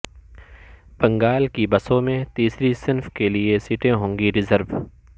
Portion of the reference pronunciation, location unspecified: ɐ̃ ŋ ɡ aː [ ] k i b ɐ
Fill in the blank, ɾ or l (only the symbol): l